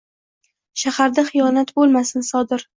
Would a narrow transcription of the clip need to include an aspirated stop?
no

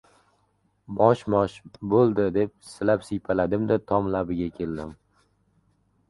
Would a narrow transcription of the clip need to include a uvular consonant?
no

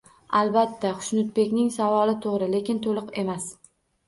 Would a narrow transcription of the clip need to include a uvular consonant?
yes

